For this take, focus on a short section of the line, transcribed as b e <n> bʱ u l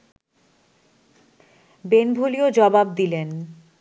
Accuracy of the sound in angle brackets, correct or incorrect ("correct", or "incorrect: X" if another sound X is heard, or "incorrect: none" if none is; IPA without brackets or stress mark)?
correct